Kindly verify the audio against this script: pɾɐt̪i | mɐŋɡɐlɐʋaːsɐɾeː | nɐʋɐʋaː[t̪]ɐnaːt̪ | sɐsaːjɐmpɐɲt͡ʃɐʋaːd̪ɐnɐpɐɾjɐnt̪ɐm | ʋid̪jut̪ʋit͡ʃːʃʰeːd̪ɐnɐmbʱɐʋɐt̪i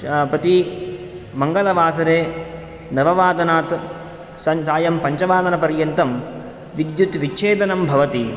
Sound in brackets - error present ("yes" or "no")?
yes